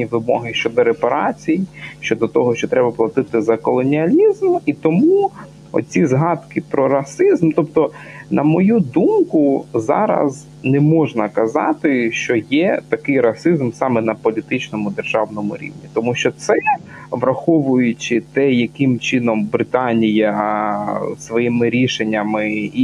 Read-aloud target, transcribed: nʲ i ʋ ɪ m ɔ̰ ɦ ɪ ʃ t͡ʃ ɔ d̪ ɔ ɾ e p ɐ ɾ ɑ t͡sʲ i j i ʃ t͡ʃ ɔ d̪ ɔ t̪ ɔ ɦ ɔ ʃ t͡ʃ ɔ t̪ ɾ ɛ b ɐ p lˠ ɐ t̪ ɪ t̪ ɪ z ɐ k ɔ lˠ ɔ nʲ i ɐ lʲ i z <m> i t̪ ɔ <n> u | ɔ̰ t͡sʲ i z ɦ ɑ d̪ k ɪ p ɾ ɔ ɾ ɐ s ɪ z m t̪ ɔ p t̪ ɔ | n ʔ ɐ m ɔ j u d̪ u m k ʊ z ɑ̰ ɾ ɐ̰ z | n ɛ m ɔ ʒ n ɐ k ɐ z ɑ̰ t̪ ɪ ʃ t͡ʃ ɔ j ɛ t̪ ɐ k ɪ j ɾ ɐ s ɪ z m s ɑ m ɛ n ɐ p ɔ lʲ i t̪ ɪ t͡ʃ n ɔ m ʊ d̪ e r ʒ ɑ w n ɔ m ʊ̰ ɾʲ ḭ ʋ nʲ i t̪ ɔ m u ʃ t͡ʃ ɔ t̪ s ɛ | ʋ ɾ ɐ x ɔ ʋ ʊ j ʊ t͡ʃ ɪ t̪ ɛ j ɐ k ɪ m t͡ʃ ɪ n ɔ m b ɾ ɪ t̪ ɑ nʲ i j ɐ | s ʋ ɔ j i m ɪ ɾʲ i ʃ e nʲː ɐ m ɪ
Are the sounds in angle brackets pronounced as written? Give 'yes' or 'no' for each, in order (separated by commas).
yes, no